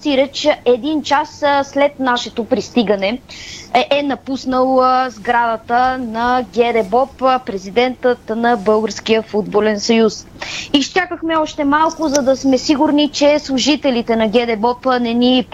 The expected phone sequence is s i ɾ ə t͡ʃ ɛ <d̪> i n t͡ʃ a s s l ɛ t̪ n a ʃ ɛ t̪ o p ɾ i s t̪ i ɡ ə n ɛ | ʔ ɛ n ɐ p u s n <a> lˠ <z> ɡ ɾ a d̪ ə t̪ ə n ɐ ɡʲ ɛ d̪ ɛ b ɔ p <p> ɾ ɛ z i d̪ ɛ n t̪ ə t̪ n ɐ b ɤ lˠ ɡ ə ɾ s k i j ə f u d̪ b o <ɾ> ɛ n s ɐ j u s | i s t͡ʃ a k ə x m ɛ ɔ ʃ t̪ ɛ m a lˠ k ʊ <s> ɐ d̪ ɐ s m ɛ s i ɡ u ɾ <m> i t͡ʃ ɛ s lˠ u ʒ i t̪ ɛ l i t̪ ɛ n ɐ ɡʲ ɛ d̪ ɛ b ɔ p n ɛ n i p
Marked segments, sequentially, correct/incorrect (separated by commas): correct, incorrect, correct, correct, incorrect, incorrect, incorrect